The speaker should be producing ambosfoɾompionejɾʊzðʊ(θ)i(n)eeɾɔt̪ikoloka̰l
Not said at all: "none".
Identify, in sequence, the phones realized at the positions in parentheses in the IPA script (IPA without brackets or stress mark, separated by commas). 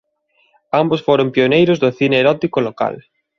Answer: θ, n